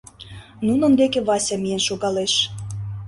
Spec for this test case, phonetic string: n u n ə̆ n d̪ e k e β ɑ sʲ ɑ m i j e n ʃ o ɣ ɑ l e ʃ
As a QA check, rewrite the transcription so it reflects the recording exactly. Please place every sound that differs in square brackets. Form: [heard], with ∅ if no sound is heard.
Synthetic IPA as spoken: n u n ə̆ n d̪ e k e β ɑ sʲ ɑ m i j e n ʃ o ɣ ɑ l e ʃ